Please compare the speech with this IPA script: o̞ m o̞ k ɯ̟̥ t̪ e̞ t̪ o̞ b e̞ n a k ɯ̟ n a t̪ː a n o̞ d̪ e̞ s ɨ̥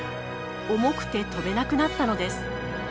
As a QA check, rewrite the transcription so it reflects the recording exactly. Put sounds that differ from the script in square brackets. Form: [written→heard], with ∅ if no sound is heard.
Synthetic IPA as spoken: o̞ m o̞ k ɯ̟̥ t̪ e̞ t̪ o̞ b e̞ n a k ɯ̟ n a t̪ː a n o̞ d̪ e̞ s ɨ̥